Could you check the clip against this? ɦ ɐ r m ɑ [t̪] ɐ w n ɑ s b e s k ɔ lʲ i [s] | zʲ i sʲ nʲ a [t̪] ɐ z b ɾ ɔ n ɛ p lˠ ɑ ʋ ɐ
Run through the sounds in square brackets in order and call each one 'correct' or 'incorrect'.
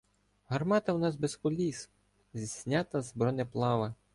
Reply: correct, correct, correct

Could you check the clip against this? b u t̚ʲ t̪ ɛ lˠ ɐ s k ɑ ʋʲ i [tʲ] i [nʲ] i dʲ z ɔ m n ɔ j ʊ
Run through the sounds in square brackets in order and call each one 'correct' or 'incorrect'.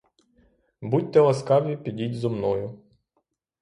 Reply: incorrect, incorrect

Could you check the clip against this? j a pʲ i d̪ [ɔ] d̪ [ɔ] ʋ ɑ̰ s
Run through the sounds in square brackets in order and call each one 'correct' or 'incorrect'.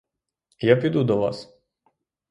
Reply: incorrect, correct

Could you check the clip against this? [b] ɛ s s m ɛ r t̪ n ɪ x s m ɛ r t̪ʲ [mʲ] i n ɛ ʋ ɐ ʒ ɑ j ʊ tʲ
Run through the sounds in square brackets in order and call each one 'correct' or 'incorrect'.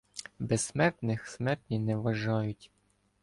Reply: correct, incorrect

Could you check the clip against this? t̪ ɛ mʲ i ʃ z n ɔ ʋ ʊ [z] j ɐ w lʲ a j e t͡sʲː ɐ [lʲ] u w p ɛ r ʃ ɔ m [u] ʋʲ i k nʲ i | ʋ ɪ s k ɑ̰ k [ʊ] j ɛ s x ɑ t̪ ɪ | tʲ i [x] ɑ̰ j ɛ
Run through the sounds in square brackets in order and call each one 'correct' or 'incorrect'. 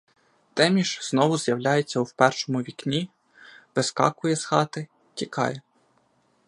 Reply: correct, incorrect, incorrect, correct, incorrect

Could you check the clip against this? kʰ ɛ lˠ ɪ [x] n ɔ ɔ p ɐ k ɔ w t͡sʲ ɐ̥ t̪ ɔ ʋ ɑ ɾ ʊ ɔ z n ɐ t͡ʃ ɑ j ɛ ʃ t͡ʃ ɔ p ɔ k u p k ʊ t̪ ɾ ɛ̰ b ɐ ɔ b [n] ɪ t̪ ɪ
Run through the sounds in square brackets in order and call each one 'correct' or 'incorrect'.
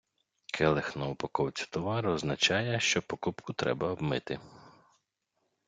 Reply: correct, incorrect

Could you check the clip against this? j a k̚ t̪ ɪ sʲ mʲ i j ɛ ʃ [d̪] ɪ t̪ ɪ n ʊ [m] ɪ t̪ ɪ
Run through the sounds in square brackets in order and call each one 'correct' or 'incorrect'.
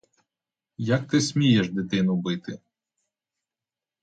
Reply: correct, incorrect

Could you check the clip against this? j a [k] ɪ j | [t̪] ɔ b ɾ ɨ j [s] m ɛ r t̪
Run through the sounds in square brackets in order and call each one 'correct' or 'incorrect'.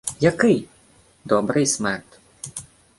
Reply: correct, incorrect, correct

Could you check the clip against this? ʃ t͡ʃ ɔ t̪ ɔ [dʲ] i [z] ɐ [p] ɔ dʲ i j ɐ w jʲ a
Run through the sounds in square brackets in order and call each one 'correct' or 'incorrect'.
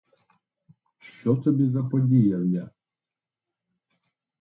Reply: incorrect, correct, correct

